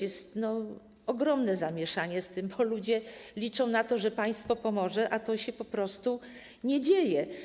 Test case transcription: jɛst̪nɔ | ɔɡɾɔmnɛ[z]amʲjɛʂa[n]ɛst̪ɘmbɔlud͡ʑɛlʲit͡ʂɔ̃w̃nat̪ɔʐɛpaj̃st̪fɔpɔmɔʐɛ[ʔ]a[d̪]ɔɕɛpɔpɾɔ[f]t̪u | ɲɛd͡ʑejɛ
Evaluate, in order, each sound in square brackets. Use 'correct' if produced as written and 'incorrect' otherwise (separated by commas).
correct, incorrect, correct, incorrect, incorrect